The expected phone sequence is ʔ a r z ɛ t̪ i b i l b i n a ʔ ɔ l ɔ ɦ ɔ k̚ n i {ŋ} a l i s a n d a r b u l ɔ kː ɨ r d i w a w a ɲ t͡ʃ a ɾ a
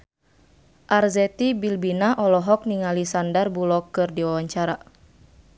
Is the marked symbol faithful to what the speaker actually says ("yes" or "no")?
yes